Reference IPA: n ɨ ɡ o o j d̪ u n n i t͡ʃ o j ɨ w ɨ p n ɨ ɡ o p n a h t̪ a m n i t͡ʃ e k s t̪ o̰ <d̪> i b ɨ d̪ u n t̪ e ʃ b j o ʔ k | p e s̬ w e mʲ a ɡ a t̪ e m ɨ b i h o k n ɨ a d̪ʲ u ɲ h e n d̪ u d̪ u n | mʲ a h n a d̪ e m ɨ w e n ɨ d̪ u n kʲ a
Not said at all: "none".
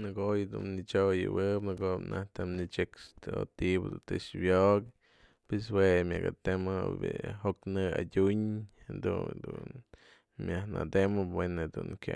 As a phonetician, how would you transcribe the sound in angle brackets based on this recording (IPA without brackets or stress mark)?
t̪